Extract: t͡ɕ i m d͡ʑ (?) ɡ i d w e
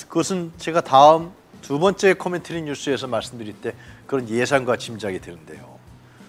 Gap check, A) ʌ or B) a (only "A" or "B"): B